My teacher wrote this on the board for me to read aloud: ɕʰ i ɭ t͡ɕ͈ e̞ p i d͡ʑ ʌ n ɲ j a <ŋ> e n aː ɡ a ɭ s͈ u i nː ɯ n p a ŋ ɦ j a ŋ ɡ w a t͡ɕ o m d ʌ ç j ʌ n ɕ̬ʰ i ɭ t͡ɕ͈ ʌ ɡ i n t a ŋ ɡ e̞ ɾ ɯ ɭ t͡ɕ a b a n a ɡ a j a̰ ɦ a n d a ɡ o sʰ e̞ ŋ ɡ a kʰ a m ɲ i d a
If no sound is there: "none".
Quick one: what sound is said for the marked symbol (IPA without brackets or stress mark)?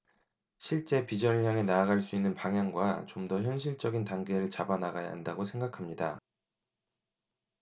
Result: ŋ